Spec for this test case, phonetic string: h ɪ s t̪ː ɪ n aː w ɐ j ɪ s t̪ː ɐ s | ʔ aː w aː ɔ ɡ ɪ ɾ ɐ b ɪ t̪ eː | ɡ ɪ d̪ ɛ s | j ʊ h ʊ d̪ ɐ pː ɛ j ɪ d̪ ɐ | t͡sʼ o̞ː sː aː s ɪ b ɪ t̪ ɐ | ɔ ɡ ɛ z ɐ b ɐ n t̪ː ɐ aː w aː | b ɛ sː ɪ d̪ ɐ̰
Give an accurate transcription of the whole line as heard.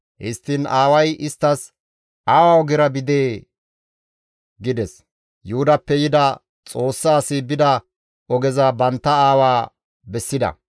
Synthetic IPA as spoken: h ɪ s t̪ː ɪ n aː w ɐ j ɪ s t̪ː ɐ s | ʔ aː w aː ɔ ɡ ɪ ɾ ɐ b ɪ d̪ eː | ɡ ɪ d̪ ɛ s | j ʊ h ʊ d̪ ɐ pː ɛ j ɪ d̪ ɐ | t͡sʼ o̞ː sː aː s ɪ b ɪ d̪ ɐ | ɔ ɡ ɛ z ɐ b ɐ n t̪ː ɐ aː w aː | b ɛ sː ɪ d̪ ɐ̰